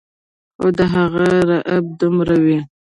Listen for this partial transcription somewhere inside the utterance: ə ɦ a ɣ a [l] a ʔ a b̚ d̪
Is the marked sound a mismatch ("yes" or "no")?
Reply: yes